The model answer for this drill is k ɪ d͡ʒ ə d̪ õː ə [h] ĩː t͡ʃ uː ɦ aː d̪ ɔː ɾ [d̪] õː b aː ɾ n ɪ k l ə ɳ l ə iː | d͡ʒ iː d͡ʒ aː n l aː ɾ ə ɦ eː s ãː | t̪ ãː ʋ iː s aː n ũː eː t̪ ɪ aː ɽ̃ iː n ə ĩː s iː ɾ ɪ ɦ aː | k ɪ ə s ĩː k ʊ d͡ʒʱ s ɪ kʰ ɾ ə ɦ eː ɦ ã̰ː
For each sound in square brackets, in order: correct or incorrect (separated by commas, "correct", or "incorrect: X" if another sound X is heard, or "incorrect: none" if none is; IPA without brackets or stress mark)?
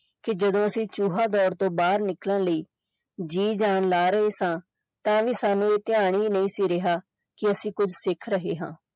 incorrect: s, incorrect: t̪